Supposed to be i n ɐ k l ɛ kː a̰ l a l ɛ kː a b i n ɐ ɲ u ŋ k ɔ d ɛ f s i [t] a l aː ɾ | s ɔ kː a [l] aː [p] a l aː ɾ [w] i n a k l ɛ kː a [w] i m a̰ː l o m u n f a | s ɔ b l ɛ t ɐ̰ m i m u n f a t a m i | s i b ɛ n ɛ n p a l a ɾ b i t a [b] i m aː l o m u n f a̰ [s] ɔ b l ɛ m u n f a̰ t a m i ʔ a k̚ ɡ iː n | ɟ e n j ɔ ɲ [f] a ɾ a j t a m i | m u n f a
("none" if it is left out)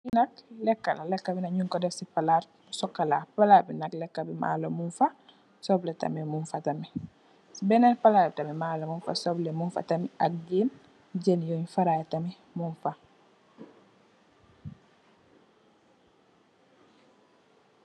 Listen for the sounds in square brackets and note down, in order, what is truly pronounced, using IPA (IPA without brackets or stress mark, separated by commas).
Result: p, l, p, b, b, m, s, f